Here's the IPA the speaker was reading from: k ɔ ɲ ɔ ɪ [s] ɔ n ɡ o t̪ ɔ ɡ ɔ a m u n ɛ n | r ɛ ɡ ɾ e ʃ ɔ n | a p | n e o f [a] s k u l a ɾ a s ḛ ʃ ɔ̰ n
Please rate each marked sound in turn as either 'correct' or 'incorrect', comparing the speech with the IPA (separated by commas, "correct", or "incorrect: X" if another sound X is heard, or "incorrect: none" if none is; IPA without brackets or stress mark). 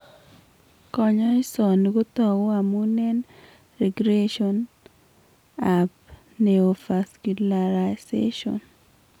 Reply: correct, correct